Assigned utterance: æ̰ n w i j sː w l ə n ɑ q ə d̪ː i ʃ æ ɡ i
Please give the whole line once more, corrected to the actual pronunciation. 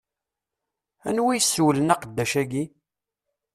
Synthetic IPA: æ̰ n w i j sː w l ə n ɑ q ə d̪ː æ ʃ æ ɡ i

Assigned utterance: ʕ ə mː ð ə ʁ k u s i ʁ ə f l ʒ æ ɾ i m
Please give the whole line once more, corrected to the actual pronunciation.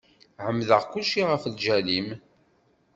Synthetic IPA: ʕ ə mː ð ə ʁ k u ʃ i ʁ ə f l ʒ æ l i m

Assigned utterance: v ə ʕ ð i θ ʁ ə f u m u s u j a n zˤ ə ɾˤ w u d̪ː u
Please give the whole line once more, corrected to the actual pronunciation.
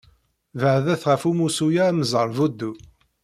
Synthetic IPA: v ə ʕ ð æ θ ʁ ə f u m u s u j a m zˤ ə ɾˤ v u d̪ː u

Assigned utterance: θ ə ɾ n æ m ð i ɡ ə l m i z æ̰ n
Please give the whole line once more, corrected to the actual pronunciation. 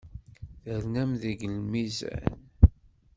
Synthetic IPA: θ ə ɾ n æ m ð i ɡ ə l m i z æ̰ n

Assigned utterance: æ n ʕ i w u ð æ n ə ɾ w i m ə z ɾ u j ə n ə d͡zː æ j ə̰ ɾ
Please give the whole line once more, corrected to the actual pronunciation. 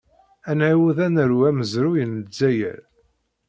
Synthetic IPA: æ n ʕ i w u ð æ n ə ɾ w æ m ə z ɾ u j ə n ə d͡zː æ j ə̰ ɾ

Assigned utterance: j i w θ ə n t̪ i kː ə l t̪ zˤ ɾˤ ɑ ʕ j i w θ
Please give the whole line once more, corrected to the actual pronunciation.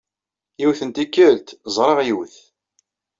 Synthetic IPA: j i w θ ə n t̪ i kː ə l t̪ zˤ ɾˤ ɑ ʁ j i w θ

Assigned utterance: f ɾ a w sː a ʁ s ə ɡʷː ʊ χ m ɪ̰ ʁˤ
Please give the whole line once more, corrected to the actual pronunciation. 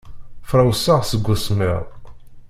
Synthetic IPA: f ɾ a w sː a ʁ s ə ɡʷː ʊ s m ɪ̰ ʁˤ

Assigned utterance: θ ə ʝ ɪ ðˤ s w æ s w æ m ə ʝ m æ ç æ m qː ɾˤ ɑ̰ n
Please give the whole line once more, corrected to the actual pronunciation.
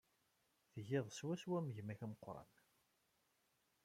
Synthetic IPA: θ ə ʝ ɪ ðˤ s w æ s w æ m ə ʝ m æ ç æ m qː ɾˤ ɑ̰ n

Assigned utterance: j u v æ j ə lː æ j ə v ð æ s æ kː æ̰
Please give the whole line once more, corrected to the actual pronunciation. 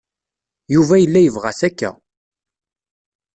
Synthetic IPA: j u v æ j ə lː æ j ə v ʁ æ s æ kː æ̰

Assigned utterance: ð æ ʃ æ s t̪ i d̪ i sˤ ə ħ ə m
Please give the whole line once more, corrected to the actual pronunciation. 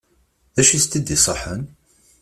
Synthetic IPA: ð æ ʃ i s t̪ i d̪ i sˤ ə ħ ə n

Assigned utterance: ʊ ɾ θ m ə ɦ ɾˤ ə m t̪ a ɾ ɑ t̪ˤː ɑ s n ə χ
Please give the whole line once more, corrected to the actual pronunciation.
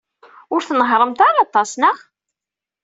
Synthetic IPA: ʊ ɾ θ n ə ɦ ɾˤ ə m t̪ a ɾ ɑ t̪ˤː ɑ s n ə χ

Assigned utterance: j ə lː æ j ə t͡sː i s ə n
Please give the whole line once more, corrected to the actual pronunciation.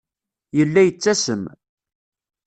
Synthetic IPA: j ə lː æ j ə t͡sː æ s ə m

